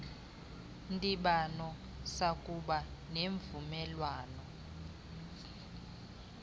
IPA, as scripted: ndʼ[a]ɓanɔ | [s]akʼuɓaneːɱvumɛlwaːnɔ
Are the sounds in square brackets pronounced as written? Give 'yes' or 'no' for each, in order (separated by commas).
no, yes